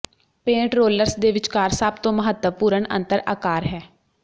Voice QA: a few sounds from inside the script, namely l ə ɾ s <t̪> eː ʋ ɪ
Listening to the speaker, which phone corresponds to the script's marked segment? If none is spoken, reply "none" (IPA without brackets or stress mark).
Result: d̪